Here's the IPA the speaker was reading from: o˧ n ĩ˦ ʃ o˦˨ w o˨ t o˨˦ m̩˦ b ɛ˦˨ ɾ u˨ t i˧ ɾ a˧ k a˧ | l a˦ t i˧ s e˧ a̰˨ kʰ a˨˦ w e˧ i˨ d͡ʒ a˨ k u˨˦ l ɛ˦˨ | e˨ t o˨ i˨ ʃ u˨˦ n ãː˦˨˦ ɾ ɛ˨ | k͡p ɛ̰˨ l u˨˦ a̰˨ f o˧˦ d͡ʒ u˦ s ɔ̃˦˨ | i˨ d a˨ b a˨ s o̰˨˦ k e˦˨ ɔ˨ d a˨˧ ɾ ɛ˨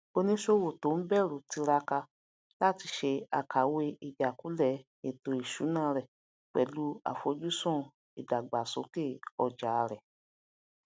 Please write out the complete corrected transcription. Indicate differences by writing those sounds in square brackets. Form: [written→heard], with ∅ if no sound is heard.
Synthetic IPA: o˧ n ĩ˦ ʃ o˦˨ w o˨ t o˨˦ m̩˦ b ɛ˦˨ ɾ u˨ t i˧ ɾ a˧ k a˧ | l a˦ t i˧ [s→ʃ] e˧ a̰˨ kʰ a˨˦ w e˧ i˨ d͡ʒ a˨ k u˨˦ l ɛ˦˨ | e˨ t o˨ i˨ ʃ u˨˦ n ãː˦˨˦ ɾ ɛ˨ | k͡p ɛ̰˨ l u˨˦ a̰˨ f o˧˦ d͡ʒ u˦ s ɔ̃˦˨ | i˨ d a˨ [b→ɡ͡b] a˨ s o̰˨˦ k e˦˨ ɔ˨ [d→d͡ʒ] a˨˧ ɾ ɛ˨